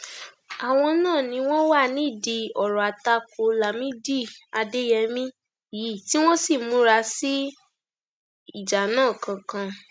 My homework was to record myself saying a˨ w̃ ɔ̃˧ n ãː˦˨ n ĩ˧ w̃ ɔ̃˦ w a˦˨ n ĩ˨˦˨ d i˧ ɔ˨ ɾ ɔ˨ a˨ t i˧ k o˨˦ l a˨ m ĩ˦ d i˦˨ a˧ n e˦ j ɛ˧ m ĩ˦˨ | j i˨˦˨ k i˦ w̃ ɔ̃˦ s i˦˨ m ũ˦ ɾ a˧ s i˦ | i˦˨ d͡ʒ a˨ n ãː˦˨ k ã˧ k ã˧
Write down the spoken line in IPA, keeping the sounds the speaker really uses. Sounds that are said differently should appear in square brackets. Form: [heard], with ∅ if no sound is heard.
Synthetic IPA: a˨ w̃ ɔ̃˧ n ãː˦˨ n ĩ˧ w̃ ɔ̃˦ w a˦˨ n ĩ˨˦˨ d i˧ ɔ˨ ɾ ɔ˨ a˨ t [a˧] k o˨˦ l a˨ m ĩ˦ d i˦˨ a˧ [d] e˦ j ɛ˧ m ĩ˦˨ | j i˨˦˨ [t] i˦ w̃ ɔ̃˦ s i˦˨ m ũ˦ ɾ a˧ s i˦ | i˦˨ d͡ʒ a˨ n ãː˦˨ k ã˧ k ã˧

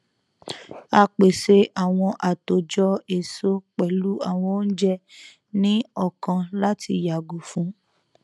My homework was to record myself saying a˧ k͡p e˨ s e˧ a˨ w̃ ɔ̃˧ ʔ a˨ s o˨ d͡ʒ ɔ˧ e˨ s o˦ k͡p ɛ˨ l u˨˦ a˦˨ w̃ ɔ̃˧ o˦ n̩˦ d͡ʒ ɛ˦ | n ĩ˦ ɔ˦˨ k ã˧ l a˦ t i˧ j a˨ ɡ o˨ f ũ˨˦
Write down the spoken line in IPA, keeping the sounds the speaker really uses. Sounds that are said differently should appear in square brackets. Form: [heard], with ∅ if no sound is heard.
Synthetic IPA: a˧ k͡p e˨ s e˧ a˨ w̃ ɔ̃˧ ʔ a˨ [t] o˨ d͡ʒ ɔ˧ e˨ s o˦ k͡p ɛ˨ l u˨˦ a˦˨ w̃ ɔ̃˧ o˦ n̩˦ d͡ʒ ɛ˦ | n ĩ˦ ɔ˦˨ k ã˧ l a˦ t i˧ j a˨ ɡ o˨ f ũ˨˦

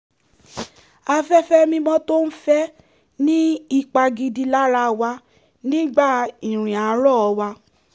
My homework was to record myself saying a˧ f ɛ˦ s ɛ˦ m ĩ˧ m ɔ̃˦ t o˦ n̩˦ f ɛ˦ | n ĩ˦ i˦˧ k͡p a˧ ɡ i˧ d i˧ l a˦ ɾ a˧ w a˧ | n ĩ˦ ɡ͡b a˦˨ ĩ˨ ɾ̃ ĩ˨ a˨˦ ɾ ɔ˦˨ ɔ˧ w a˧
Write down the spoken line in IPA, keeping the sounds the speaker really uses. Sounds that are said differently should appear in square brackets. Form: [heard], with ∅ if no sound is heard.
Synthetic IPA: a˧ f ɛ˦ [f] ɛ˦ m ĩ˧ m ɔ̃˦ t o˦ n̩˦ f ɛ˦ | n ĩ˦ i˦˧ k͡p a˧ ɡ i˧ d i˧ l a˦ ɾ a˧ w a˧ | n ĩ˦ ɡ͡b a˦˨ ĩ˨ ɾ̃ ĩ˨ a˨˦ ɾ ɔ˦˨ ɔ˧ w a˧

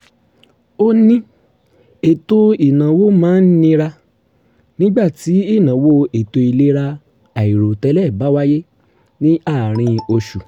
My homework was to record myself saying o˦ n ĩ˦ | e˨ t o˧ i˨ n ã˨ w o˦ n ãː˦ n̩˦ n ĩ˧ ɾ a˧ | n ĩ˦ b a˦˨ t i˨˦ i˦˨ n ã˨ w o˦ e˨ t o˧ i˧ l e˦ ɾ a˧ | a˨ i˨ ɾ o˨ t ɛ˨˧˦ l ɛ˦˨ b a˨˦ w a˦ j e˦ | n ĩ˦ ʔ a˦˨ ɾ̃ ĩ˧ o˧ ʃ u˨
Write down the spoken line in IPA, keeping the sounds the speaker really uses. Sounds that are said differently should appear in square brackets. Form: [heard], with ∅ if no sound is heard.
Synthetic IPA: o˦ n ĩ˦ | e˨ t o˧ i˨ n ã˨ w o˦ [m] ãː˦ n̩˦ n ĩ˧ ɾ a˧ | n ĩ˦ [ɡ͡b] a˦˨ t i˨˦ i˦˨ n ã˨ w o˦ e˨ t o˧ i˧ l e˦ ɾ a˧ | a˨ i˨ ɾ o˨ t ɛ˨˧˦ l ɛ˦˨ b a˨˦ w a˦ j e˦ | n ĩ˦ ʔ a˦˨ ɾ̃ ĩ˧ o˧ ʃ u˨

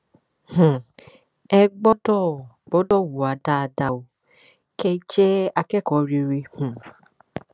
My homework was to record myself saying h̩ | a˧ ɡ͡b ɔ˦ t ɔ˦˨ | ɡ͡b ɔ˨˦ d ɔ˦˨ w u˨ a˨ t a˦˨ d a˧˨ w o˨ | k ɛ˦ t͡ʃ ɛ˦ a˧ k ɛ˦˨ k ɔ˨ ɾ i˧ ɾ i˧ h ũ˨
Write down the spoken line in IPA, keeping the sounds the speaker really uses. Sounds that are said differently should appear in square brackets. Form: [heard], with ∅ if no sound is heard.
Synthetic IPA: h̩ | [ɛ˧] ɡ͡b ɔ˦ [d] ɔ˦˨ | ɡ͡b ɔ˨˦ d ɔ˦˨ w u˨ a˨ [d] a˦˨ d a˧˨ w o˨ | k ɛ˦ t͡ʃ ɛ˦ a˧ k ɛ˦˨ k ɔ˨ ɾ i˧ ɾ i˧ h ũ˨

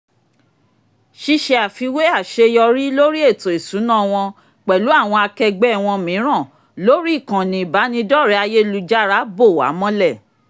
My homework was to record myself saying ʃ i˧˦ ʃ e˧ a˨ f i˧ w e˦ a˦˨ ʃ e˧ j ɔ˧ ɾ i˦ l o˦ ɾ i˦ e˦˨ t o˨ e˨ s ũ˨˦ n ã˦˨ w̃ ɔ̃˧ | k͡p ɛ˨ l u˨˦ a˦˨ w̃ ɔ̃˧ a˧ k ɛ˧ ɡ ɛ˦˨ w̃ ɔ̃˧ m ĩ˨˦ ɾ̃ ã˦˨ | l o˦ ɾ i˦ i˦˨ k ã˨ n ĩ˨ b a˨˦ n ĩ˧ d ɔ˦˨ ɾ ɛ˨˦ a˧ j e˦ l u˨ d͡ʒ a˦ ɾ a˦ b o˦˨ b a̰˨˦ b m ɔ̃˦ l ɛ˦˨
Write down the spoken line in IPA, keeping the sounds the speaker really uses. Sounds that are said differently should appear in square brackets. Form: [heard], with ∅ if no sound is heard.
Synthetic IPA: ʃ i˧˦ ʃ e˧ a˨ f i˧ w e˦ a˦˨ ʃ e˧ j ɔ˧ ɾ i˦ l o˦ ɾ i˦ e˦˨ t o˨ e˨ s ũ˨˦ n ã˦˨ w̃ ɔ̃˧ | k͡p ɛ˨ l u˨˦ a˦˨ w̃ ɔ̃˧ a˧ k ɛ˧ [ɡ͡b] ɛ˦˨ w̃ ɔ̃˧ m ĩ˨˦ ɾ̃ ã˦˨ | l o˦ ɾ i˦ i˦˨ k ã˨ n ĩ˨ b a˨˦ n ĩ˧ d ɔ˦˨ ɾ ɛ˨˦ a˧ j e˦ l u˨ d͡ʒ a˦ ɾ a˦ b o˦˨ [w] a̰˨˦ [∅] m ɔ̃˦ l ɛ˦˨

